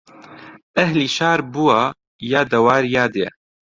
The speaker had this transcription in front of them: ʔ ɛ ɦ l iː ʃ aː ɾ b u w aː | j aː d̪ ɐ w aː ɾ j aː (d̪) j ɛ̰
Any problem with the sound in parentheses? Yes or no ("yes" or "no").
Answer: no